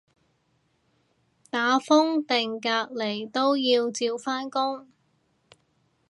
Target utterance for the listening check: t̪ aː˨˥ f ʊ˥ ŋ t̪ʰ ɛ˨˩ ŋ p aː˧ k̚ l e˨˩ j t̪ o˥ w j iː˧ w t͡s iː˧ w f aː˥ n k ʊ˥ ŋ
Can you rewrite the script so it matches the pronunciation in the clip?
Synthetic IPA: t̪ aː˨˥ f ʊ˥ ŋ t̪ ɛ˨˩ ŋ k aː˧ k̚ l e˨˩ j t̪ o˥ w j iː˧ w t͡s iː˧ w f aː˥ n k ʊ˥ ŋ